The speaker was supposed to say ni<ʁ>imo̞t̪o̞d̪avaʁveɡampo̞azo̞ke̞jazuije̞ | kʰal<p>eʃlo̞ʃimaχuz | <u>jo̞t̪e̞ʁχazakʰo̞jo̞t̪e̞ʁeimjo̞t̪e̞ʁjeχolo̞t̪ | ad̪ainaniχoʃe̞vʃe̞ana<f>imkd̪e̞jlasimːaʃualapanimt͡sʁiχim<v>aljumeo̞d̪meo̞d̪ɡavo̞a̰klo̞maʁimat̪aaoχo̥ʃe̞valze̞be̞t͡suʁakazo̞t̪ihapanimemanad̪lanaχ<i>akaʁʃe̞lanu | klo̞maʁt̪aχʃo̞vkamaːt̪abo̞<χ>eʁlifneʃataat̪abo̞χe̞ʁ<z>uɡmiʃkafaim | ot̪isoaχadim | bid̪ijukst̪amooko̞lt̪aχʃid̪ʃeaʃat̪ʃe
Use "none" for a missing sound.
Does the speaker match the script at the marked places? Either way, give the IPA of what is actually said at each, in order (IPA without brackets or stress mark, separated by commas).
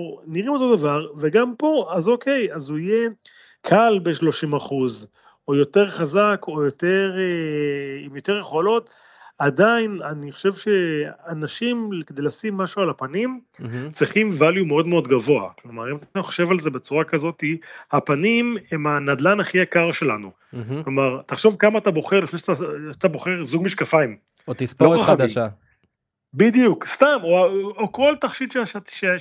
ʁ, b, o, ʃ, v, i, χ, z